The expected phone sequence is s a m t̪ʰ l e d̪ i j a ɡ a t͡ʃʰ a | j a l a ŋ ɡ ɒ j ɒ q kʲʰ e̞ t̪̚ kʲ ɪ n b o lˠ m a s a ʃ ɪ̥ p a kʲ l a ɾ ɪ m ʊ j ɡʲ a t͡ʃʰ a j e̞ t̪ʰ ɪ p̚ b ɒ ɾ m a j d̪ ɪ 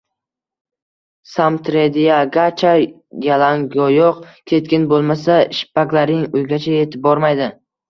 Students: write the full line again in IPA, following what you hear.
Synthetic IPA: s a m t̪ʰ ɾ e d̪ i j a ɡ a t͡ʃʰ a | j a l a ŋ ɡ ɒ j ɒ q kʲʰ e̞ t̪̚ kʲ ɪ n b o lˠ m a s a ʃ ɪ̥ p a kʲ l a ɾ ɪ ŋ ʊ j ɡʲ a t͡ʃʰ a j e̞ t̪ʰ ɪ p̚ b ɒ ɾ m a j d̪ ɪ